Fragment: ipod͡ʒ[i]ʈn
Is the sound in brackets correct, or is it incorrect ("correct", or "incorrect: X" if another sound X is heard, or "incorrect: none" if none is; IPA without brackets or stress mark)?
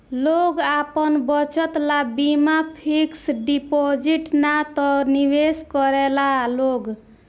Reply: correct